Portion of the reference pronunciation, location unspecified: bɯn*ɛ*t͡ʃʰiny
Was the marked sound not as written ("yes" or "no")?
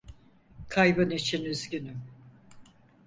yes